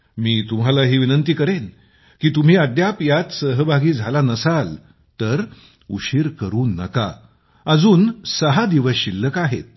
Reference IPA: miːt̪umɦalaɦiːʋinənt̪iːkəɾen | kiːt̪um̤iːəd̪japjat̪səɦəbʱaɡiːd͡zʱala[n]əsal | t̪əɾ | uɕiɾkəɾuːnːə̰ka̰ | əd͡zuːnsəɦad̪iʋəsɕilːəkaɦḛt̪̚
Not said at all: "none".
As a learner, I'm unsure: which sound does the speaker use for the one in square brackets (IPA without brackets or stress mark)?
n